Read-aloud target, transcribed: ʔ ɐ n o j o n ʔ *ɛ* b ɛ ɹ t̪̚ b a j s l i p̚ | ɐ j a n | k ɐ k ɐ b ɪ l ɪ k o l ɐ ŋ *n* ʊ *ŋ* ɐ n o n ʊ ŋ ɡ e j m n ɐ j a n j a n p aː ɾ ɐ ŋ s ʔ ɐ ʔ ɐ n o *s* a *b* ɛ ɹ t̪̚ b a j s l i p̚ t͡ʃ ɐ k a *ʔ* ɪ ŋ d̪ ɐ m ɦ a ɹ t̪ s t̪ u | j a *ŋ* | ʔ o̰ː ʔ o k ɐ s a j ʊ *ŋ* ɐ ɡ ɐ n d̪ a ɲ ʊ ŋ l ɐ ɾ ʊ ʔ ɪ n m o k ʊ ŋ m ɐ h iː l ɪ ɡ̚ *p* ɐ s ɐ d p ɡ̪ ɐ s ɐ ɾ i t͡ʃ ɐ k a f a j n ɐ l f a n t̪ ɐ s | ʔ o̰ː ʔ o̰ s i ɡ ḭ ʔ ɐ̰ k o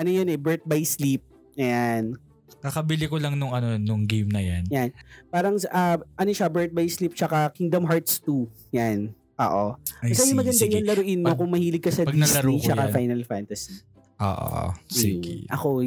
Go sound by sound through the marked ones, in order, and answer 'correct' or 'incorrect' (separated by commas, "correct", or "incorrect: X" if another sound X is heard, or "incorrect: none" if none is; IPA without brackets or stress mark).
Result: correct, correct, correct, incorrect: ʃ, correct, incorrect: k, incorrect: n, incorrect: m, incorrect: k